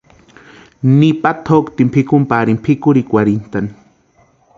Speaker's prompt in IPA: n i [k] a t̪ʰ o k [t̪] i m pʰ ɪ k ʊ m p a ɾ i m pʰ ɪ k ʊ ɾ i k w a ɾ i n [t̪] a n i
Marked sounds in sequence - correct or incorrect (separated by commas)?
incorrect, correct, correct